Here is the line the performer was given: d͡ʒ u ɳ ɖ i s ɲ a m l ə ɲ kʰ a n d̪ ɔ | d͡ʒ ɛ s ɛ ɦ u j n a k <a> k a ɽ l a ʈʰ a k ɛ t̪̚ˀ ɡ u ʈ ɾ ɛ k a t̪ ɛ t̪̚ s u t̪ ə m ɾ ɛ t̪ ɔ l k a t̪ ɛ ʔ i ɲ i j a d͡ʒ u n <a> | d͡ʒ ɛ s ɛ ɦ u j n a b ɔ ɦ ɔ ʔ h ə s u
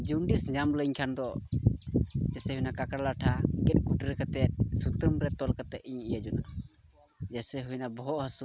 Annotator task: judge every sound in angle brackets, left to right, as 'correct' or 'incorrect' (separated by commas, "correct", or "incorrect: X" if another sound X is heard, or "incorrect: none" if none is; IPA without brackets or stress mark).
correct, correct